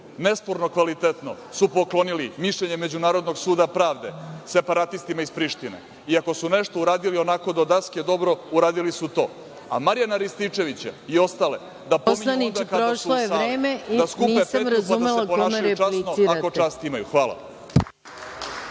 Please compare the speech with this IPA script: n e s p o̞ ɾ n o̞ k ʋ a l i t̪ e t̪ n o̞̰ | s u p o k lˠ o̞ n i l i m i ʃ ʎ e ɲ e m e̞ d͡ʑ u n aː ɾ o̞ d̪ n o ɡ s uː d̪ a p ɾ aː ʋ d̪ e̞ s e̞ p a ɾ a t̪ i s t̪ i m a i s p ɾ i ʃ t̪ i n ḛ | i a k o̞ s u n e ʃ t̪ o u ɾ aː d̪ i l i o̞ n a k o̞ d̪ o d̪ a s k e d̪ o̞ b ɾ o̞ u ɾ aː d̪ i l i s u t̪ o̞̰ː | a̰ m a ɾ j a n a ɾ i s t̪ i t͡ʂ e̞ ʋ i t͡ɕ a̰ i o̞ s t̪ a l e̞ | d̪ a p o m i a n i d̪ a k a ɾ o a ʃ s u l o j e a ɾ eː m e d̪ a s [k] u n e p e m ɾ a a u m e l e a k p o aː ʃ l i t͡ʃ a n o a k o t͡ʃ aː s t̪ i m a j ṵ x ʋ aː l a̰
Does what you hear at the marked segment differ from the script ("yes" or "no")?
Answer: no